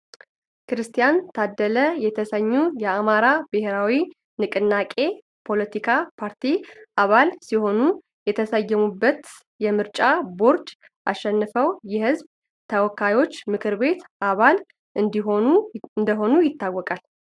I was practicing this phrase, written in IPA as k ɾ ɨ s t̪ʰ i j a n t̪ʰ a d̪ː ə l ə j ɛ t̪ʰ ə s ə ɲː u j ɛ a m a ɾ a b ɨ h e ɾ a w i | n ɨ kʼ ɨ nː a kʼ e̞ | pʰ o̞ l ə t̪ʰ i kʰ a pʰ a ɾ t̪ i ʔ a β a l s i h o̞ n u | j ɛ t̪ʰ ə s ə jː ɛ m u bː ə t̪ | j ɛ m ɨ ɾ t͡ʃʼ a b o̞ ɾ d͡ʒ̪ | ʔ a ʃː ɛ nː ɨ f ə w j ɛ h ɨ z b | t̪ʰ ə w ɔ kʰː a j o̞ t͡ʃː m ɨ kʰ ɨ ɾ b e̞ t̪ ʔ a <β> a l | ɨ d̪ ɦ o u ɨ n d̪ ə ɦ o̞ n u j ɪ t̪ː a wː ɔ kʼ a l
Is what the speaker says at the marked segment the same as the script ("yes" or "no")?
yes